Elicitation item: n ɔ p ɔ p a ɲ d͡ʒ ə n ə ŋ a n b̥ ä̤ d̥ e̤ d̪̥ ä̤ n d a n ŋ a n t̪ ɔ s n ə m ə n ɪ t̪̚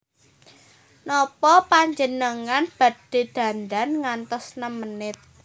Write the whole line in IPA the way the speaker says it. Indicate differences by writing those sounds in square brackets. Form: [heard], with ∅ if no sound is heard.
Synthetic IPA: n ɔ p ɔ p a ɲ d͡ʒ ə n ə ŋ a n b̥ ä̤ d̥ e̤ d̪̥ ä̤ n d a n ŋ a n t̪ ɔ s n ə m ə n ɪ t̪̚